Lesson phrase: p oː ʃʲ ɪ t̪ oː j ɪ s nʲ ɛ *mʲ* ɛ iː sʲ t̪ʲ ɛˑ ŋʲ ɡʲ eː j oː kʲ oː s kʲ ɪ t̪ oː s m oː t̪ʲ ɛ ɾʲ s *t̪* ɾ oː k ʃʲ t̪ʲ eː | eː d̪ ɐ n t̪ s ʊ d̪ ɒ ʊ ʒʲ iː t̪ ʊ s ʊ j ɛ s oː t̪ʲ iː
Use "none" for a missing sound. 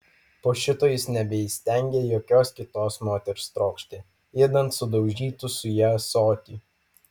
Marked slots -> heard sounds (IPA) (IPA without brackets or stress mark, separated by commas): bʲ, t̪